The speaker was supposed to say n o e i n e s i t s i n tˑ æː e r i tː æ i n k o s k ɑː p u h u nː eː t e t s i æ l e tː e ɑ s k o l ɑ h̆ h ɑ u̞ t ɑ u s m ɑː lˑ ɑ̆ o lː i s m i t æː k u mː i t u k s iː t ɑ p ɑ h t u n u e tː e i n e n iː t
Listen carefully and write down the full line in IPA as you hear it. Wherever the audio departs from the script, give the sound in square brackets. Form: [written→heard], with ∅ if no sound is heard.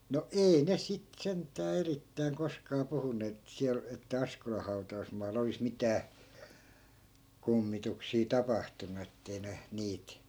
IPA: n o e i n e s i t s [i→e] n tˑ æː e r i tː æ i [n→ŋ] k o s k ɑː p u h u nː eː t e t s i æ l e tː [e→æ] ɑ s k o l ɑ h̆ h ɑ u̞ t ɑ u s m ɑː lˑ ɑ̆ o [lː→l] i s m i t æː k u mː i t u k s iː t ɑ p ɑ h t u n u e tː e i n e n iː t